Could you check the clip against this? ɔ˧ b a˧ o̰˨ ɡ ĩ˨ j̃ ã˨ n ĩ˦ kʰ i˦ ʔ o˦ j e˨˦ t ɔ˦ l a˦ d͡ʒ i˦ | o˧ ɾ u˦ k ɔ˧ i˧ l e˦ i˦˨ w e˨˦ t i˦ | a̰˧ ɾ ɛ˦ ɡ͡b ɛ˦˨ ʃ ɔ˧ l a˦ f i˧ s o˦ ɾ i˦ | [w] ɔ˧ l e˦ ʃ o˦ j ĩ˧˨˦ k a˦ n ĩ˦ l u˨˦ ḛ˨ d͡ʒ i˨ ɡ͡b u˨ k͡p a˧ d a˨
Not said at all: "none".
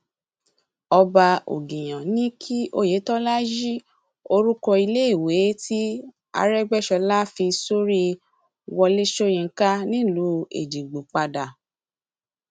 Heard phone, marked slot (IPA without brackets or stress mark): w